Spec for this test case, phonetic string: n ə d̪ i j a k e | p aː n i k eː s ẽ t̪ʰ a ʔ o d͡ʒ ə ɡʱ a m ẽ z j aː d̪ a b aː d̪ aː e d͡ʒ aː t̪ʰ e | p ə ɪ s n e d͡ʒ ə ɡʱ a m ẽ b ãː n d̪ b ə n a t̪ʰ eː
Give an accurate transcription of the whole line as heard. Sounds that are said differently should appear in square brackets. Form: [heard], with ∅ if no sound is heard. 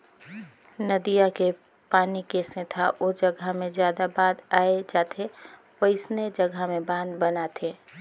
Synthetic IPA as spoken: n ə d̪ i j a k e | p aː n i k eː s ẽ t̪ʰ a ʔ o d͡ʒ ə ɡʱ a m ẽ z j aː d̪ a b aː d̪ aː e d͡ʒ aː t̪ʰ e | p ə ɪ s n e d͡ʒ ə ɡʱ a m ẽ b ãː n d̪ b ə n a t̪ʰ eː